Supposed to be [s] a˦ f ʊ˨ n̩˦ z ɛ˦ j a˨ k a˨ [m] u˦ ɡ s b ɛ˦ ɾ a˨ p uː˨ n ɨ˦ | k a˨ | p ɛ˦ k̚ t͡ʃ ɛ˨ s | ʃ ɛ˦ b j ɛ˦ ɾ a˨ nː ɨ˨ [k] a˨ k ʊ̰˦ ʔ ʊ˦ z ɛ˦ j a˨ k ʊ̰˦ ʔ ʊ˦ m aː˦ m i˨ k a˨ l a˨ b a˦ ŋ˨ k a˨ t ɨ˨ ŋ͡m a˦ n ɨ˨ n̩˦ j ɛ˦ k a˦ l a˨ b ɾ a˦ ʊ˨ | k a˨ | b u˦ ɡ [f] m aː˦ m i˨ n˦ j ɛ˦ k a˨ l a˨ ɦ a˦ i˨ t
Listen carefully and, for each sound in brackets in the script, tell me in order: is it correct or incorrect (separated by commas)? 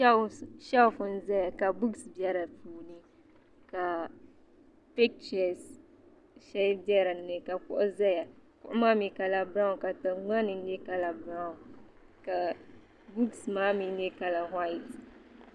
incorrect, incorrect, correct, incorrect